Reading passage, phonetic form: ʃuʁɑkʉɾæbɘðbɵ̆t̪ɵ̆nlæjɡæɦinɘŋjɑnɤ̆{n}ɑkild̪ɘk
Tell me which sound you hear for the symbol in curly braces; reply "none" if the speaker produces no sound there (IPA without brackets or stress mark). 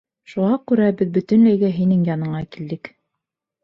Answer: ɴ